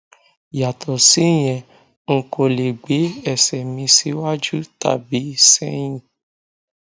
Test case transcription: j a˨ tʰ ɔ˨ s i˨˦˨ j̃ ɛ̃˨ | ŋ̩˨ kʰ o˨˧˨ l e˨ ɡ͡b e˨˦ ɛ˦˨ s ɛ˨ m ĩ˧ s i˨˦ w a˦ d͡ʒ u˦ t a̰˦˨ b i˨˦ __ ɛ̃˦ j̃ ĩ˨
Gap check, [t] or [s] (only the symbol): s